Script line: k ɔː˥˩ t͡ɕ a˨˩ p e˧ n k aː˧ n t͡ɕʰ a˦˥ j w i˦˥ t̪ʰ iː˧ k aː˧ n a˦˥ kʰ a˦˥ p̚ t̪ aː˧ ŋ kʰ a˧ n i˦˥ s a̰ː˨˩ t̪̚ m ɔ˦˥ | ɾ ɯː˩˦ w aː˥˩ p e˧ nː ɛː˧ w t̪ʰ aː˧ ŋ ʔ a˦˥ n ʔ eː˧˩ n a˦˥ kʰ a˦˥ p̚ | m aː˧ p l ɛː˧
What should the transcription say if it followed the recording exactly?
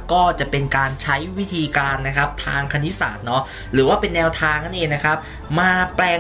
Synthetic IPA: k ɔː˥˩ t͡ɕ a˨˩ p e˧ n k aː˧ n t͡ɕʰ a˦˥ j w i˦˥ t̪ʰ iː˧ k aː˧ nː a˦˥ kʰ a˦˥ p̚ t̪ʰ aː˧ ŋ kʰ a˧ n i˦˥ s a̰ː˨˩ t̪̚ n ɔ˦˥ | ɾ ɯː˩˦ w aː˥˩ p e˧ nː ɛː˧ w t̪ʰ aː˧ ŋ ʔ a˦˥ n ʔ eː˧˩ n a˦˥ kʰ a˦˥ p̚ | m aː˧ p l ɛː˧